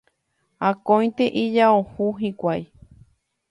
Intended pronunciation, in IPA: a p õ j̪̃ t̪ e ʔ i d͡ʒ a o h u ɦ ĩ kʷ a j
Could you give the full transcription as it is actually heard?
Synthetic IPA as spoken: a k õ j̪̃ t̪ e ʔ i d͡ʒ a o h u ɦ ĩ kʷ a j

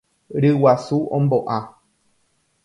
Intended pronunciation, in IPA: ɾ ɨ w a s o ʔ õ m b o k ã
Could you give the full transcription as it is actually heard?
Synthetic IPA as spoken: ɾ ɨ w a s u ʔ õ m b o ʔ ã

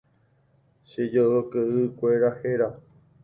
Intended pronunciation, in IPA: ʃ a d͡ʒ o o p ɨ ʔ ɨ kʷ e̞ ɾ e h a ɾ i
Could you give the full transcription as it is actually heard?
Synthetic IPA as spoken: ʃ e d͡ʒ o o k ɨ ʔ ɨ kʷ e̞ ɾ a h e ɾ a

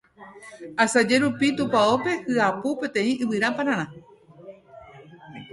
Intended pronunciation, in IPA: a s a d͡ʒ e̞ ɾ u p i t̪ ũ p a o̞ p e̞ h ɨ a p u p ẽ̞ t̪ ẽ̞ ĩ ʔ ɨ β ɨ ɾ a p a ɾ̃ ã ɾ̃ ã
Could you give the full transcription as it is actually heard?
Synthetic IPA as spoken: a s a d͡ʒ e̞ ɾ u p i t̪ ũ p a o̞ p e̞ h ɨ a p u p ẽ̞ t̪ ẽ̞ ĩ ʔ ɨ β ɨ ɾ a p a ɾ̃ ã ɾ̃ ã

